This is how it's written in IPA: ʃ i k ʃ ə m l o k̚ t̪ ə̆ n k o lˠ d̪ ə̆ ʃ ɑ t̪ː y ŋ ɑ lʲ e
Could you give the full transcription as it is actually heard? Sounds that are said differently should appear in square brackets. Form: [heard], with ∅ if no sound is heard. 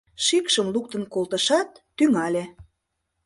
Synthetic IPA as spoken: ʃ i k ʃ ə m l [u] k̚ t̪ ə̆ n k o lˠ [t̪] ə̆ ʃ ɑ t̪ː y ŋ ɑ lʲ e